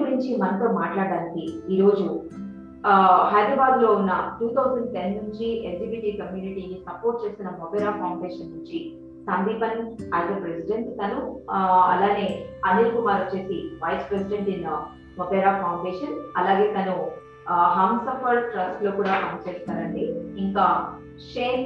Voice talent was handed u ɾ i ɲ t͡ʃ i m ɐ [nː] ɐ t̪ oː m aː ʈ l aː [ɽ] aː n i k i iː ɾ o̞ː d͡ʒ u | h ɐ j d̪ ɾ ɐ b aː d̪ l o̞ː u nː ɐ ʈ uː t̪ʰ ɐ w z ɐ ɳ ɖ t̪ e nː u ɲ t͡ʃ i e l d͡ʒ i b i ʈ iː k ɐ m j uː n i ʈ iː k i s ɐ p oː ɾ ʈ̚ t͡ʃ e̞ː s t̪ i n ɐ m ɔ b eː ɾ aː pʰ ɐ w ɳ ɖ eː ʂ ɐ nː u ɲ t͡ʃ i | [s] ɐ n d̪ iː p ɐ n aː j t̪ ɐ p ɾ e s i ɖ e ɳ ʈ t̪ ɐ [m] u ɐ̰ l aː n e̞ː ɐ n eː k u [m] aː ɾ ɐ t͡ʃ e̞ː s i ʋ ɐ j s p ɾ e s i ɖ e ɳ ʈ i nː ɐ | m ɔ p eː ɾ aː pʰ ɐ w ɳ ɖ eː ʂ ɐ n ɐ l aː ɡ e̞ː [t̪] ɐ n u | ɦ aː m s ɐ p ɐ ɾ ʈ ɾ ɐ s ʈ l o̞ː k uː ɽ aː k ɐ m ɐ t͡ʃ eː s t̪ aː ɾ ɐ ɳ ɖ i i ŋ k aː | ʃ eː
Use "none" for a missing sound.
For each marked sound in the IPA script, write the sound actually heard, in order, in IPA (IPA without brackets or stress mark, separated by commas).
n, ɽ, s, n, m, t̪